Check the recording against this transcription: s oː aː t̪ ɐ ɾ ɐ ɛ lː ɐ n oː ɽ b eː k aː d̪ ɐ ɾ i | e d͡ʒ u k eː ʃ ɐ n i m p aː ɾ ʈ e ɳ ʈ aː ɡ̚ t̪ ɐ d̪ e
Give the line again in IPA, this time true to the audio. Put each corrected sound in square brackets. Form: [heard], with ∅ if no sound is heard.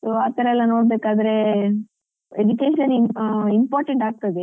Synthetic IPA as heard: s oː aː t̪ ɐ ɾ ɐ ɛ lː ɐ n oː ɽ b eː k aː d̪ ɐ ɾ [e] | e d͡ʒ u k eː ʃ ɐ n i m p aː ɾ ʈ e ɳ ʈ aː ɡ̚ t̪ ɐ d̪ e